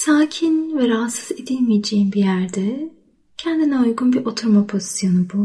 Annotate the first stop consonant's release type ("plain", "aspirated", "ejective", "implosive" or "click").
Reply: aspirated